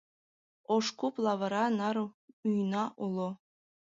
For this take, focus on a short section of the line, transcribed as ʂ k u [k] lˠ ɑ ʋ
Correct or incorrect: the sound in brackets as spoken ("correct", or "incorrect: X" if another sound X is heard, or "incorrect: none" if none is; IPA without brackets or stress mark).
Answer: incorrect: p